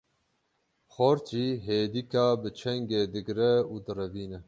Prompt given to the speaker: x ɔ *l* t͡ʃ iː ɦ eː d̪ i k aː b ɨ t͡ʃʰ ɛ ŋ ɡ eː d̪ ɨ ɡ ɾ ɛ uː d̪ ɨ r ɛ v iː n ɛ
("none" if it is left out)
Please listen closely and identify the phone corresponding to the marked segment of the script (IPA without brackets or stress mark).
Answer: ɾ